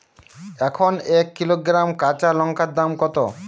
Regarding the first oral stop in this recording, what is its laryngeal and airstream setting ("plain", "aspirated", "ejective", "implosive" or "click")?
aspirated